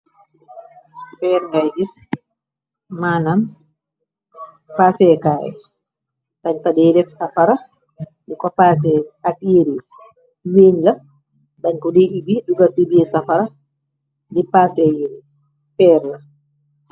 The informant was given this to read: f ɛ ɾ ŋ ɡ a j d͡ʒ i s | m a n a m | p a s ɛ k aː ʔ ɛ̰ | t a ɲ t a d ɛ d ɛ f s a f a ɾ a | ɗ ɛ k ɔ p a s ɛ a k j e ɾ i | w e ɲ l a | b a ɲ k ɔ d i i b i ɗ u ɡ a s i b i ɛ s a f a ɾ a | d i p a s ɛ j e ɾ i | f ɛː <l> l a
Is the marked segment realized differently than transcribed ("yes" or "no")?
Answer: yes